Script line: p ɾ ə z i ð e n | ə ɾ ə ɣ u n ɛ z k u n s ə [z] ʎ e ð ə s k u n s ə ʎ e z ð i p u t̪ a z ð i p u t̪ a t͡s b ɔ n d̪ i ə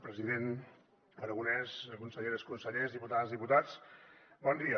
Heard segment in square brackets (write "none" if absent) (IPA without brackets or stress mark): none